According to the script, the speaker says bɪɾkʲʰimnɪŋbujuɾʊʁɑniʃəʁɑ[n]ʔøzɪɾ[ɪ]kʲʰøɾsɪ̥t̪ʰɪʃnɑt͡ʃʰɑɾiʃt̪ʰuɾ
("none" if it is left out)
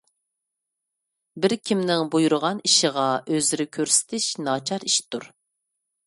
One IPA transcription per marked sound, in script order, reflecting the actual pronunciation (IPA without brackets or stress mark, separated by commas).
none, ɪ